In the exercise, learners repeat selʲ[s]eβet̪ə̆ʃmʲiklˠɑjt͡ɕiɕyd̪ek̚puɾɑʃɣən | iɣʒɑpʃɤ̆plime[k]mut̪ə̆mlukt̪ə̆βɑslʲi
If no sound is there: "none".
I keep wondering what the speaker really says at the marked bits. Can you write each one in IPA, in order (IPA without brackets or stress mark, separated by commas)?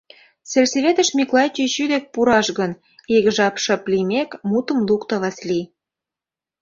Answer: s, k